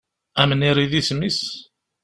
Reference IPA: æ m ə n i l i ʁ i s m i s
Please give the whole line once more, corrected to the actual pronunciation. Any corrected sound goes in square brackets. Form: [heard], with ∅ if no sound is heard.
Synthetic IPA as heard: æ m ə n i [ɾ] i [ð] i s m i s